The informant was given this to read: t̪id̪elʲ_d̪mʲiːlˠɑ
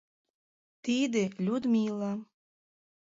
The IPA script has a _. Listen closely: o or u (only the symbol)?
u